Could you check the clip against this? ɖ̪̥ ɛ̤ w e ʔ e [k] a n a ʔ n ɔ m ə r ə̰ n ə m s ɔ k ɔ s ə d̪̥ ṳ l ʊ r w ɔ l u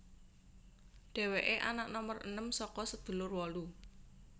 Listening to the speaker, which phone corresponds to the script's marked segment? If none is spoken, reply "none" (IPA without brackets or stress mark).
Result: ʔ